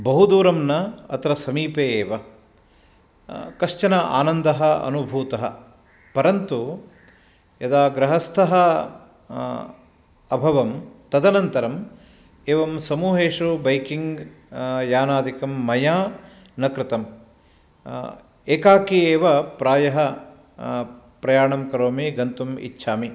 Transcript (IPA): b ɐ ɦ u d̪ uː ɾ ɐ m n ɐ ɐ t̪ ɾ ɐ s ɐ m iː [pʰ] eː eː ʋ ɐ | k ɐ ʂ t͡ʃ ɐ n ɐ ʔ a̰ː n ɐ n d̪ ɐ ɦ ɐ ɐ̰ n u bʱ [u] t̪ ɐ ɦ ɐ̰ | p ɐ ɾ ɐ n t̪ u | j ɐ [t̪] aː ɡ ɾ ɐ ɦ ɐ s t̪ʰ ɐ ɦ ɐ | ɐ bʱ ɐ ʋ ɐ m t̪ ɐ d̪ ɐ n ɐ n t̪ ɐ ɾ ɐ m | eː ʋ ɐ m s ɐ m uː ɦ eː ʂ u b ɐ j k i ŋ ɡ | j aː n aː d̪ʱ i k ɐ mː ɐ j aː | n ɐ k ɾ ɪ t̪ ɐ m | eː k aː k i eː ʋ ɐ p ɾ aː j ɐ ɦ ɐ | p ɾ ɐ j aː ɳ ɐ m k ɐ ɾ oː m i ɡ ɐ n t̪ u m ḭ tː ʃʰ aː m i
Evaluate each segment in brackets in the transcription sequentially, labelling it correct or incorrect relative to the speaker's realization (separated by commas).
incorrect, incorrect, incorrect